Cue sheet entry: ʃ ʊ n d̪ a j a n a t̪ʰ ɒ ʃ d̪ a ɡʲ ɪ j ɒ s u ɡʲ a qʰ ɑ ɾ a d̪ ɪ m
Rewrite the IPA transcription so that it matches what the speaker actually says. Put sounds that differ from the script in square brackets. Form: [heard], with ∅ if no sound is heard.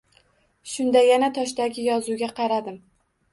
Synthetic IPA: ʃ ʊ n d̪ a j a n a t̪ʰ ɒ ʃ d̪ a ɡʲ ɪ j ɒ [z] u ɡʲ a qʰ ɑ ɾ a d̪ ɪ m